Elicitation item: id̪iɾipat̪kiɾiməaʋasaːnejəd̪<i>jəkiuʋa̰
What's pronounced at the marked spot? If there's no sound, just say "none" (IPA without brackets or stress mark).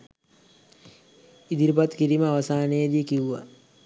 i